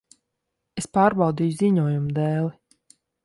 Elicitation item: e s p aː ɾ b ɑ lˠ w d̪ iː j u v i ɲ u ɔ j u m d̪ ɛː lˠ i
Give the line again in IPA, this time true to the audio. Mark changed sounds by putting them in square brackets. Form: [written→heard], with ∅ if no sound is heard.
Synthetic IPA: e s p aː ɾ b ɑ [lˠ→∅] w d̪ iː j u [v→z] i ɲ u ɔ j u m d̪ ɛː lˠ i